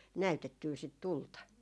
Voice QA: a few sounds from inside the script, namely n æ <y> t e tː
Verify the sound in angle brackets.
correct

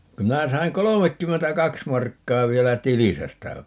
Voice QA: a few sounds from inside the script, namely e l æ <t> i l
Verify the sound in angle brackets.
correct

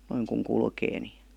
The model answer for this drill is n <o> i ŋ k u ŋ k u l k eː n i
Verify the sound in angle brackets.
correct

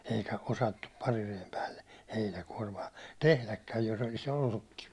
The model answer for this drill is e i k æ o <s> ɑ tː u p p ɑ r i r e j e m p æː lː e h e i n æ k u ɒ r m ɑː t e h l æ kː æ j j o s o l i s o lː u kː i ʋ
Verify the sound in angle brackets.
correct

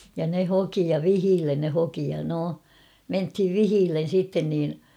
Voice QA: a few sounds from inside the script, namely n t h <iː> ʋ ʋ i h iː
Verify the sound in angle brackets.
incorrect: i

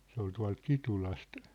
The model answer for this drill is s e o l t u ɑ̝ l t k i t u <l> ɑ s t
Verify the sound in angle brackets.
correct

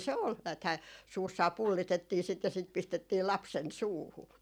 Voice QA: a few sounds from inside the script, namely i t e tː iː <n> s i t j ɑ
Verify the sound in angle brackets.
incorrect: none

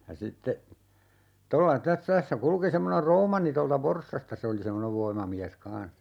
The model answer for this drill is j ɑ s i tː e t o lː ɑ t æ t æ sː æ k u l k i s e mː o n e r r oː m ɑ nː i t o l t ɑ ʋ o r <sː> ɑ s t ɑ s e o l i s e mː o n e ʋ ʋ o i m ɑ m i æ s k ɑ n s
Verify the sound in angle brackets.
correct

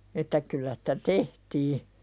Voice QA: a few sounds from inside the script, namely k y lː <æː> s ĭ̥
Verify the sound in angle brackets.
incorrect: æ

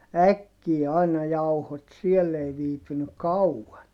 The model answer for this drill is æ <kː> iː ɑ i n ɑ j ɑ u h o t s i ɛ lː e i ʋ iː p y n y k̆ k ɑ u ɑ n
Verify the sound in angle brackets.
correct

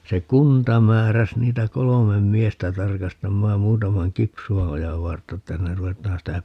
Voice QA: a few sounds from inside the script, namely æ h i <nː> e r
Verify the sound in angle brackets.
correct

